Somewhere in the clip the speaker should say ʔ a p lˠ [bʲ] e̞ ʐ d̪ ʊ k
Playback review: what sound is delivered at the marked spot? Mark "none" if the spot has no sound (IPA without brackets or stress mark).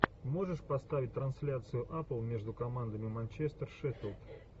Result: mʲ